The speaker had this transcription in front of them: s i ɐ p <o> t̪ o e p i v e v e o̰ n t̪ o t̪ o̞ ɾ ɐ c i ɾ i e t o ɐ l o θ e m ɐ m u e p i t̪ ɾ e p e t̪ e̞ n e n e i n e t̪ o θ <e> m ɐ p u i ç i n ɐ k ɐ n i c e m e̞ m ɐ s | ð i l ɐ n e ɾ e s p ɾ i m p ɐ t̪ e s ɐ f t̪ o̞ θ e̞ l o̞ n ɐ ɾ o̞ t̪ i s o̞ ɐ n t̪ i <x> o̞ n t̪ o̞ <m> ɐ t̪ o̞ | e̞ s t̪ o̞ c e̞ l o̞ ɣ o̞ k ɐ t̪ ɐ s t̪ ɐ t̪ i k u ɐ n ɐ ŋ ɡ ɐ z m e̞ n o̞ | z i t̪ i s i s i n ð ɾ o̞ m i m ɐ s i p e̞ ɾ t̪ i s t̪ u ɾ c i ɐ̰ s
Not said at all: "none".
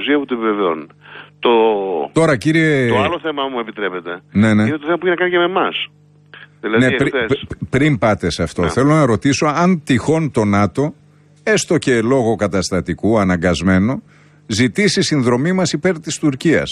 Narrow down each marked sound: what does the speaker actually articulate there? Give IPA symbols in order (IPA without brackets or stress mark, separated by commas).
u, e, x, n